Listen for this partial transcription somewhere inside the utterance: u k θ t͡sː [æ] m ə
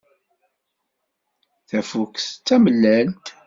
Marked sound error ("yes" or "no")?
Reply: no